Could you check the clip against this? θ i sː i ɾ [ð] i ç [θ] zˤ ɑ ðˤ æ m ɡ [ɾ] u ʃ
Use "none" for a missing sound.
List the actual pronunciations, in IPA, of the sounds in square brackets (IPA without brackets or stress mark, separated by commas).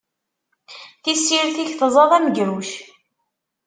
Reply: θ, θ, ɾ